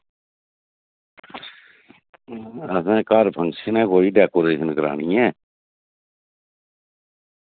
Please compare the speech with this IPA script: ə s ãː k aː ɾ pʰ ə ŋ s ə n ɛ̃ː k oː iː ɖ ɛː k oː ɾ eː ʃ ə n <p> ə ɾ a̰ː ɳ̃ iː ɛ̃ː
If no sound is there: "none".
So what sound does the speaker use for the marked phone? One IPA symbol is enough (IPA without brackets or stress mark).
k